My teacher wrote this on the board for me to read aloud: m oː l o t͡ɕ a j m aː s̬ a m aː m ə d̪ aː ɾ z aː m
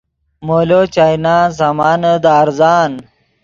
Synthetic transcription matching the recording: m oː l o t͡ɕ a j n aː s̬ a m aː n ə d̪ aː ɾ z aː n